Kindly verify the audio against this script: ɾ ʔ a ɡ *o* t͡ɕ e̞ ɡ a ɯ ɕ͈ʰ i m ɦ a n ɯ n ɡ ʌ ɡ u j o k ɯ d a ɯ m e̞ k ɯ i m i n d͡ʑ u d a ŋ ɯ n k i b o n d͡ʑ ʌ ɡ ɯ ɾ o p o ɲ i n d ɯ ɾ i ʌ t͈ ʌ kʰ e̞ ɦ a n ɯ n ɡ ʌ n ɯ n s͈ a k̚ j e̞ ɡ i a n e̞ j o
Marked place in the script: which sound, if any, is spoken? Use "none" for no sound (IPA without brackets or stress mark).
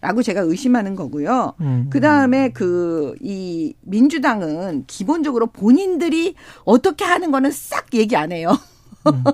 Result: o